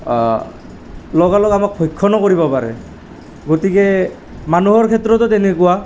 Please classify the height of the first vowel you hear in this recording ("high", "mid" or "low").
mid